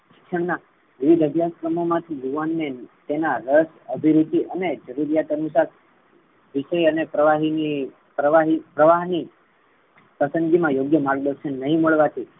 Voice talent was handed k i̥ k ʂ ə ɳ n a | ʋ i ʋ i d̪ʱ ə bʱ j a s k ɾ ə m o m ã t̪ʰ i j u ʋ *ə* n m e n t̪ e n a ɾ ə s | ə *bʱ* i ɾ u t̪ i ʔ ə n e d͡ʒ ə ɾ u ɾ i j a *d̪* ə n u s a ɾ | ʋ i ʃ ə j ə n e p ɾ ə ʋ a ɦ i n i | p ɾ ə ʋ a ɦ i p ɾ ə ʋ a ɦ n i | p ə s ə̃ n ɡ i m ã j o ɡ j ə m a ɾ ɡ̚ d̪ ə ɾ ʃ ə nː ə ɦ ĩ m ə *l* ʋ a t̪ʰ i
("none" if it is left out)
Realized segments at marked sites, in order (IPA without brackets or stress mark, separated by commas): a, bʱ, t̪, ɭ